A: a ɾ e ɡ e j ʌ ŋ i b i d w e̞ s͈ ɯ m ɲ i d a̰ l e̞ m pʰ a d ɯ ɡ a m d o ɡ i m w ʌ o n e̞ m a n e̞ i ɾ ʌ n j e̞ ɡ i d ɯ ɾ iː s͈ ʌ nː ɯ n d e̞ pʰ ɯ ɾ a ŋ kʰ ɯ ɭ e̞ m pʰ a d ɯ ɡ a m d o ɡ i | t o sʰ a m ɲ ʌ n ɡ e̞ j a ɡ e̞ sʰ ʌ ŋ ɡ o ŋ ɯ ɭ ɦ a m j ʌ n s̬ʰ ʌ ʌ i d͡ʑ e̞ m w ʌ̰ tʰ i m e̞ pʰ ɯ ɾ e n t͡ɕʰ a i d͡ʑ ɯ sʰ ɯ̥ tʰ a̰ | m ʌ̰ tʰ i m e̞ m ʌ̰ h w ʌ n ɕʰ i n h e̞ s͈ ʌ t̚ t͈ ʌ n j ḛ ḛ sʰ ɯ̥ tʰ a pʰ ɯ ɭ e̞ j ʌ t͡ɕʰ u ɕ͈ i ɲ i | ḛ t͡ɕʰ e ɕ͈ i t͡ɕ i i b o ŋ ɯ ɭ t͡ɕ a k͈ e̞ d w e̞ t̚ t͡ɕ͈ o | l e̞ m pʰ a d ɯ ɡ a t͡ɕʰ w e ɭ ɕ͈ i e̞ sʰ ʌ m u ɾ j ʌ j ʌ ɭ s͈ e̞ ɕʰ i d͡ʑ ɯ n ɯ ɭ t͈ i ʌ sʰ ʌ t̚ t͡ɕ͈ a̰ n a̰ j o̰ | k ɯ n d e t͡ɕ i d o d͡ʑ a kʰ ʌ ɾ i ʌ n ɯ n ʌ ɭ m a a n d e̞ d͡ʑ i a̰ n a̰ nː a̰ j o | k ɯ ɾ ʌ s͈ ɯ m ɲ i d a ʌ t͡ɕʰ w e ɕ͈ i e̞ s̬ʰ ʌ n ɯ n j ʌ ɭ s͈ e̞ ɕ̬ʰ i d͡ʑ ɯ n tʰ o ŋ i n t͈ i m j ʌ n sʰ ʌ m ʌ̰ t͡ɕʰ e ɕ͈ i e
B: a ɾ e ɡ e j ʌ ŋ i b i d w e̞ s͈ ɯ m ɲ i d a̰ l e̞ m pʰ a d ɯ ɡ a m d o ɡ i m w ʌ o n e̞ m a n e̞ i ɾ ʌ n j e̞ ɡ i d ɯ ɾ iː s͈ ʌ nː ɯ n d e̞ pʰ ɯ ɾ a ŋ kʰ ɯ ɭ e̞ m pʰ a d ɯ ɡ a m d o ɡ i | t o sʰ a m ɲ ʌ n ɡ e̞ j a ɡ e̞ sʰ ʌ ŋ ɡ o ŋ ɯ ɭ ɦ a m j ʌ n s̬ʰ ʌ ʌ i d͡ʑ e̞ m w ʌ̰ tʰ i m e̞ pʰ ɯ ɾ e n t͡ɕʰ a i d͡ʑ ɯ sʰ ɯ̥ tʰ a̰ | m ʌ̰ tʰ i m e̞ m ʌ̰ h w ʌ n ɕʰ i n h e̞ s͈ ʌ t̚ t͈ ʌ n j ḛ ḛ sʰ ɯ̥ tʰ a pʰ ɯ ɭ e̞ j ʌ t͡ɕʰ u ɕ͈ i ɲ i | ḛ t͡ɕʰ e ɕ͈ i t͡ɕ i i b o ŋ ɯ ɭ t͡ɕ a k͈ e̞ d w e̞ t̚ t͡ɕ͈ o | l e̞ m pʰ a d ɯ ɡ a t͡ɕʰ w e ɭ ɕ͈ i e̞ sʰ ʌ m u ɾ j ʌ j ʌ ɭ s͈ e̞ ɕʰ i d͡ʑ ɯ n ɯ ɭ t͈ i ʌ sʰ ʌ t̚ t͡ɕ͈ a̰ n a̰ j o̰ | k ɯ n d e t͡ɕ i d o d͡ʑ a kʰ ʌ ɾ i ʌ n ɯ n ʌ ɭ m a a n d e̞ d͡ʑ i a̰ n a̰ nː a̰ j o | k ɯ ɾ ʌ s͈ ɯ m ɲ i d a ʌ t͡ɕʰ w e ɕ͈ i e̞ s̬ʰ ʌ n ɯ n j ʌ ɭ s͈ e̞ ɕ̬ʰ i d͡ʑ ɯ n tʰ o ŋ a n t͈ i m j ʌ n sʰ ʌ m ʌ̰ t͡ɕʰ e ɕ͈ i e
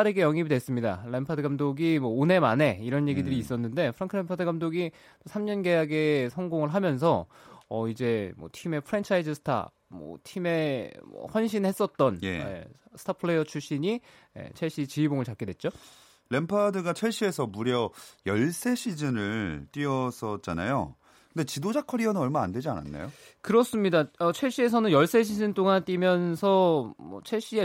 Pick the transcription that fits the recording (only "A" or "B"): B